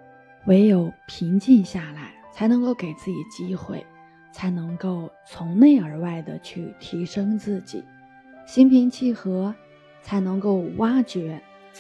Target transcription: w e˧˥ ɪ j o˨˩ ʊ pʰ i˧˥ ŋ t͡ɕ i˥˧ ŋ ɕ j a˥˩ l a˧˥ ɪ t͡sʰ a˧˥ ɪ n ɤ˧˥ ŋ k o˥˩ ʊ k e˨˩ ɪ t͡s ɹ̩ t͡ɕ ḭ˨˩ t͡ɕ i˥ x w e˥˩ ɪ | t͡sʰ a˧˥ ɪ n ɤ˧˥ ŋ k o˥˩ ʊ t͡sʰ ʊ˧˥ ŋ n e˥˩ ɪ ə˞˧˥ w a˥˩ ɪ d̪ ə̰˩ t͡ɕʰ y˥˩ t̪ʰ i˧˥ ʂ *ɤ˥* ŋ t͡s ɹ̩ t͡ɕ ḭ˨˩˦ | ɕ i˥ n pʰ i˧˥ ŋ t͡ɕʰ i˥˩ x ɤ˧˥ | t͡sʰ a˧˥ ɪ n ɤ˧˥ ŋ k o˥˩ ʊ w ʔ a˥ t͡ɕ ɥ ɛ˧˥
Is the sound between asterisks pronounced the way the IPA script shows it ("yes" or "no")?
yes